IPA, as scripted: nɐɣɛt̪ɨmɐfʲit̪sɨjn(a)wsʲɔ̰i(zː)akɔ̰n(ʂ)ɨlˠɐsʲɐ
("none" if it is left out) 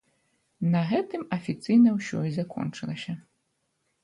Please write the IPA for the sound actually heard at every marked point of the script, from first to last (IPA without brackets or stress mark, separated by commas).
ɐ, z, t͡ʂ